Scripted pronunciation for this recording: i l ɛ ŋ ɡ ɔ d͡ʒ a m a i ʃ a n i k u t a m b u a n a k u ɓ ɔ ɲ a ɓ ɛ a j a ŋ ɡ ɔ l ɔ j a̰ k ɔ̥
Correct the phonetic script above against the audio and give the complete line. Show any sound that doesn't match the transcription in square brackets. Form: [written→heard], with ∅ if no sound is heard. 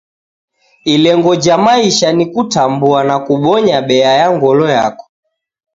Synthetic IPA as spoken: i l ɛ ŋ ɡ ɔ d͡ʒ a m a i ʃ a n i k u t a m b u a n a k u ɓ ɔ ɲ a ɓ ɛ a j a ŋ ɡ ɔ l ɔ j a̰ k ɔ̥